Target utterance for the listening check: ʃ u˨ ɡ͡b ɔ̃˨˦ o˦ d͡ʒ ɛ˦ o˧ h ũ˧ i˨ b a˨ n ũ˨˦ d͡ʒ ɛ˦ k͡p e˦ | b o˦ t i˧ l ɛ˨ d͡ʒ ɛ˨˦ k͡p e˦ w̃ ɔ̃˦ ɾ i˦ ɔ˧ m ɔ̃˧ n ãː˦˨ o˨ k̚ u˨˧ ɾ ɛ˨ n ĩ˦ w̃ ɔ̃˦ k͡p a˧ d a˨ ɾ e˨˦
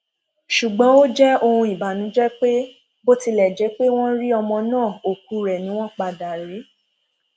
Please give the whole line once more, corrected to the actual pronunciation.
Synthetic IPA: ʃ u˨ ɡ͡b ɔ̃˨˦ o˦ d͡ʒ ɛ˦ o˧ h ũ˧ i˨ b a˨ n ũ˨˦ d͡ʒ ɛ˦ k͡p e˦ | b o˦ t i˧ l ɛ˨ d͡ʒ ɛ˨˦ k͡p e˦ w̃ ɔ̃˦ ɾ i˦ ɔ˧ m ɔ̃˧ n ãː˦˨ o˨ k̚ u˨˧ ɾ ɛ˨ n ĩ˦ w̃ ɔ̃˦ k͡p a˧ d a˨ ɾ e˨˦